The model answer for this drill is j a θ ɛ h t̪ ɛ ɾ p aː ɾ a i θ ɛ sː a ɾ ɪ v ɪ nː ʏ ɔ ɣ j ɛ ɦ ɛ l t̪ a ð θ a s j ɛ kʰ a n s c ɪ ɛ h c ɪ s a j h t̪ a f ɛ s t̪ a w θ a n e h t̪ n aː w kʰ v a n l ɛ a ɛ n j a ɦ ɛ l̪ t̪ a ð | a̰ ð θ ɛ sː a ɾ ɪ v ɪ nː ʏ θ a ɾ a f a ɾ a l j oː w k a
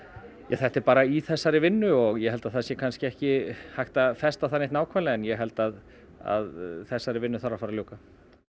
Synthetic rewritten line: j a θ ɛ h t̪ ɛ ɾ p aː ɾ a i θ ɛ sː a ɾ ɪ v ɪ nː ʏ ɔ ɣ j ɛ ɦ ɛ l t̪ a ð θ a s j ɛ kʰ a n s c ɪ ɛ h c ɪ h a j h t̪ a f ɛ s t̪ a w θ a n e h t̪ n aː w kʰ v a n l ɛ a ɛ n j ɛ ɦ ɛ l̪ t̪ a ð | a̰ ð θ ɛ sː a ɾ ɪ v ɪ nː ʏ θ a ɾ a f a ɾ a l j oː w k a